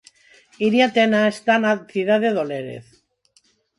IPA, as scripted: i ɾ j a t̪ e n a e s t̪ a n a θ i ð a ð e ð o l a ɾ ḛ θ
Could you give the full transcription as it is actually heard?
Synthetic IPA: i ɾ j a t̪ e n a e s t̪ a n a θ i ð a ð e ð o l e ɾ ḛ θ